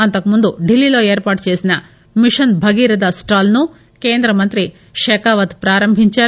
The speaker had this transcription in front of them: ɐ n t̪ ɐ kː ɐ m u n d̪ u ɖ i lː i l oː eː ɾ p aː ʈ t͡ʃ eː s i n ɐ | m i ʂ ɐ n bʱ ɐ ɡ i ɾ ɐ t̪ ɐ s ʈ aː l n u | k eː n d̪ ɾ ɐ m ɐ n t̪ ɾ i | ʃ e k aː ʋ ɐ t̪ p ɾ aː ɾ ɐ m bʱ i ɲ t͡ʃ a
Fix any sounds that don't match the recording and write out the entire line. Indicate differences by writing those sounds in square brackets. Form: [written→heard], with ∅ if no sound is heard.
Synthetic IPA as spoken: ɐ n t̪ ɐ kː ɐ m u n d̪ u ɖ i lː i l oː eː ɾ p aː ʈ t͡ʃ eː s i n ɐ | m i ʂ ɐ n bʱ ɐ ɡ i ɾ ɐ [t̪→d̪] ɐ s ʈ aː l n u | k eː n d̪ ɾ ɐ m ɐ n t̪ ɾ i | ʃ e k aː ʋ ɐ t̪ p ɾ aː ɾ ɐ m bʱ i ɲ t͡ʃ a

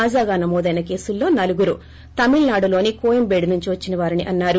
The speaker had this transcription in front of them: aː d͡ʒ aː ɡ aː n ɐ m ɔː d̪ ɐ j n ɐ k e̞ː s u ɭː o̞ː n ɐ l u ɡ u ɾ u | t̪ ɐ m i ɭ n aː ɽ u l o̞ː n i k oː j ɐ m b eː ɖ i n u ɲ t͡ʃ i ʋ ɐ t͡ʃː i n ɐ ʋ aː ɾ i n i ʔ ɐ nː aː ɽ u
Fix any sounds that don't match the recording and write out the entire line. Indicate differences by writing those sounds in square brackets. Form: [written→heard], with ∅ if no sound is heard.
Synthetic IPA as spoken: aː d͡ʒ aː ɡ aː n ɐ m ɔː d̪ ɐ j n ɐ k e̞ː s u [ɭː→lː] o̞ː n ɐ l u ɡ u ɾ u | t̪ ɐ m i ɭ n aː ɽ u l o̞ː n i k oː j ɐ m b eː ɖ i n u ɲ t͡ʃ i ʋ ɐ t͡ʃː i n ɐ ʋ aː ɾ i n i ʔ ɐ nː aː [ɽ→ɾ] u

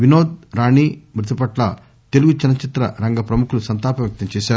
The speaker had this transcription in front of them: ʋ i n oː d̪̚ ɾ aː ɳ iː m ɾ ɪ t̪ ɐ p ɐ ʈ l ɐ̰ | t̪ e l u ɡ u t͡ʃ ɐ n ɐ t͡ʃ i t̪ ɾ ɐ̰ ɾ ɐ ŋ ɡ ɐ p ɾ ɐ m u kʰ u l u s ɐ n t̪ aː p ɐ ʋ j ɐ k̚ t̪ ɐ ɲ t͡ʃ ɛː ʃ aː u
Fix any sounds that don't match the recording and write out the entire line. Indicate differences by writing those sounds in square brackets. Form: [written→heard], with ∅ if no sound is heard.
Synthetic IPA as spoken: ʋ i n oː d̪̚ ɾ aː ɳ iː m ɾ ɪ t̪ ɐ p ɐ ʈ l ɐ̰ | t̪ e l u ɡ u t͡ʃ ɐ n ɐ t͡ʃ i t̪ ɾ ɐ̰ ɾ ɐ ŋ ɡ ɐ p ɾ ɐ m u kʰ u l u s ɐ n t̪ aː p ɐ ʋ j ɐ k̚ t̪ ɐ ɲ t͡ʃ ɛː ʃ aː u

